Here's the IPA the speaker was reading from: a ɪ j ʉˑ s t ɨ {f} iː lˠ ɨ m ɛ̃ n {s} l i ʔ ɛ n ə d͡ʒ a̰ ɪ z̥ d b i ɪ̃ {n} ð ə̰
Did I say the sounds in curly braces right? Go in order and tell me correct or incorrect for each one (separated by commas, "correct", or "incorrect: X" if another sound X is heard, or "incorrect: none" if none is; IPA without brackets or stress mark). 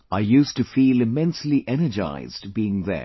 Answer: correct, correct, incorrect: ŋ